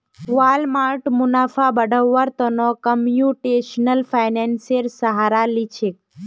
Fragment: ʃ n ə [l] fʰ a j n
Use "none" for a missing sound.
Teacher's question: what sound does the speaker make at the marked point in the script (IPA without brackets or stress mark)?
l